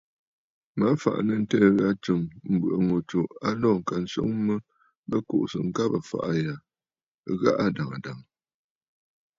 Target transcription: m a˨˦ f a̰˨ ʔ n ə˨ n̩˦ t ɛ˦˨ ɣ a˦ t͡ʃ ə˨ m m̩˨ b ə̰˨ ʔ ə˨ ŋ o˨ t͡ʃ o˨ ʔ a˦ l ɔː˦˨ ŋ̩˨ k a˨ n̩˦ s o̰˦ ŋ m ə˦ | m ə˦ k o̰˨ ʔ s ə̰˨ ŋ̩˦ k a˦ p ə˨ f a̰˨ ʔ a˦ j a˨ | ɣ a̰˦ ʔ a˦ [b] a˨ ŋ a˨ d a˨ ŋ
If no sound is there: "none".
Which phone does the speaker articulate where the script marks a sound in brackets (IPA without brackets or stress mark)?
d